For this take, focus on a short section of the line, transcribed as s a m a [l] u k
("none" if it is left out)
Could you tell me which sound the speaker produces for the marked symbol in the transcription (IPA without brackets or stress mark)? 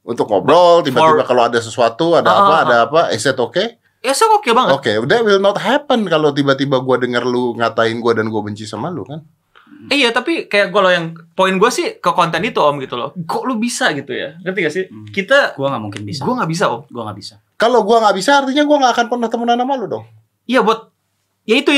l